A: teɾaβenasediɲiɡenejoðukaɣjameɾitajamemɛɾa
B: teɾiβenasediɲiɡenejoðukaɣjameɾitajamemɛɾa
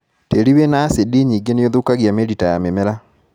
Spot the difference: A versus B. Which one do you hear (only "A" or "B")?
B